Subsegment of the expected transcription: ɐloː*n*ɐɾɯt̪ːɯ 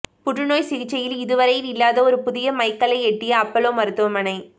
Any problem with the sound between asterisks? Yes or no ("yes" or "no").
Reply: yes